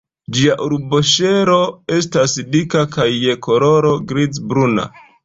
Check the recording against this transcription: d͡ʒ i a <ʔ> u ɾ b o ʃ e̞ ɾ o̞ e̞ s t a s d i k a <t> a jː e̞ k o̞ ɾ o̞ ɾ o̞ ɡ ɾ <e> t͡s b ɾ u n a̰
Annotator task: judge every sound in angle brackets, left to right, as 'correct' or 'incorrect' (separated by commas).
correct, incorrect, incorrect